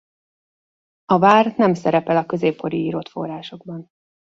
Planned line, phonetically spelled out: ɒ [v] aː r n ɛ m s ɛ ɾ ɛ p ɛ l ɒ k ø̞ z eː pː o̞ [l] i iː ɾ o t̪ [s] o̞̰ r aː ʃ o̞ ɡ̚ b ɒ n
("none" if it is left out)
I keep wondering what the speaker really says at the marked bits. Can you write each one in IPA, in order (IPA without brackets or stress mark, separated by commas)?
v, ɾ, f